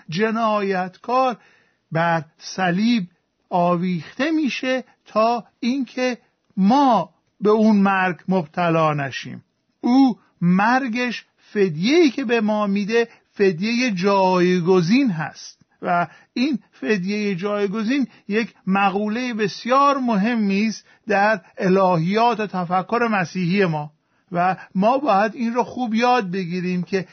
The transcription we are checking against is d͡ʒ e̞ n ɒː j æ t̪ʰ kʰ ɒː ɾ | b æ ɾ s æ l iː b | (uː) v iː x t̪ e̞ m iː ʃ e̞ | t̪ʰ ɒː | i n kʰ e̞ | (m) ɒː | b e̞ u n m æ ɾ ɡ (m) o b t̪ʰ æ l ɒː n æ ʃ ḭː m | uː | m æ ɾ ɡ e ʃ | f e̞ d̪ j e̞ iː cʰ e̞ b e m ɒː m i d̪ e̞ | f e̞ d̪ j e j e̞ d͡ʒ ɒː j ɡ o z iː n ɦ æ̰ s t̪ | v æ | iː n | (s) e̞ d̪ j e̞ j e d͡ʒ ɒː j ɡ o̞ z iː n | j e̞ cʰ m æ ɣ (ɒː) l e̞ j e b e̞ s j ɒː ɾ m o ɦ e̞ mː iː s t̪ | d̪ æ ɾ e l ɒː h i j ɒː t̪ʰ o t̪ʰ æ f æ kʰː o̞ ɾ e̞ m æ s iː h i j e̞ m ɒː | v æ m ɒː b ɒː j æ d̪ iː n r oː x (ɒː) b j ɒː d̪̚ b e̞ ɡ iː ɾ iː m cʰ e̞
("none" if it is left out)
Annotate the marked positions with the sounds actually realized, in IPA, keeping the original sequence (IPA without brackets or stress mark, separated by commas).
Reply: ɒː, m, m, f, uː, uː